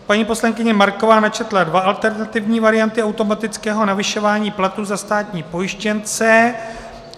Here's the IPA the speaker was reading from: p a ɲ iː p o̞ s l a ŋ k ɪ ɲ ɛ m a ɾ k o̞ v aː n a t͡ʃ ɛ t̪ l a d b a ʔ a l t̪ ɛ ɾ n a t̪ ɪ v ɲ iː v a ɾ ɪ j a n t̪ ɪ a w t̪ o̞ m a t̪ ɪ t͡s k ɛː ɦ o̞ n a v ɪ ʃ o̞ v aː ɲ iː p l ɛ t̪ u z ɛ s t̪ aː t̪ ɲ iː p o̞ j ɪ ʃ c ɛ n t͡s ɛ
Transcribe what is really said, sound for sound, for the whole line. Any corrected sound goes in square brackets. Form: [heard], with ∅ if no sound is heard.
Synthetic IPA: p a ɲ iː p o̞ s l a ŋ k ɪ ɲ ɛ m a ɾ k o̞ v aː n a t͡ʃ ɛ t̪ l a d [v] a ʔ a l t̪ ɛ ɾ n a t̪ ɪ v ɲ iː v a ɾ ɪ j a n t̪ ɪ a w t̪ o̞ m a t̪ ɪ t͡s k ɛː ɦ o̞ n a v ɪ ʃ o̞ v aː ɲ iː p l [a] t̪ u z [a] s t̪ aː t̪ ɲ iː p o̞ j ɪ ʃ c ɛ n t͡s ɛ